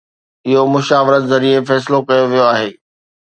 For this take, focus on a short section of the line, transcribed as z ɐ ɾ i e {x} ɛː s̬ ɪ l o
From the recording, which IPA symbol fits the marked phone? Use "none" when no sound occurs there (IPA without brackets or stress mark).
f